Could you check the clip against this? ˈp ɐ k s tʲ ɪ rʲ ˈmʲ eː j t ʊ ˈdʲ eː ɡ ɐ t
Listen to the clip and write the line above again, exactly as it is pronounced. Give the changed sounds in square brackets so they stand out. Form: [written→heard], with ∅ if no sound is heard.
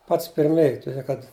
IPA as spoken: ˈp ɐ [k→t] s [tʲ→pʲ] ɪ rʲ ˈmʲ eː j t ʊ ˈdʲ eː [ɡ→k] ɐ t